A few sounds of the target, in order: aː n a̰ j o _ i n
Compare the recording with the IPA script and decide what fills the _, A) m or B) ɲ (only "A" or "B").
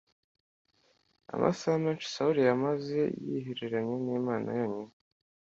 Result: B